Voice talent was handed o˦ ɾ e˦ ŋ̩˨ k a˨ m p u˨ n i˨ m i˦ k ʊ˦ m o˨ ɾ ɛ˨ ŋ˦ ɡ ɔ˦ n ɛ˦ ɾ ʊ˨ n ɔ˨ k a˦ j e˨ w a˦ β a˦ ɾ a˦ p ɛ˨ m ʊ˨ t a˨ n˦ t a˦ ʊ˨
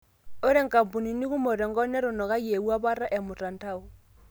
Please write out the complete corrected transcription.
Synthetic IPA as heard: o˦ ɾ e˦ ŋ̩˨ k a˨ m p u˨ n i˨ n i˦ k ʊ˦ m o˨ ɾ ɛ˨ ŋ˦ ɡ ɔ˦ n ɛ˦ ɾ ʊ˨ n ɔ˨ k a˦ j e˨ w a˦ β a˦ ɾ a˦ ʔ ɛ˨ m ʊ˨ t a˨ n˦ t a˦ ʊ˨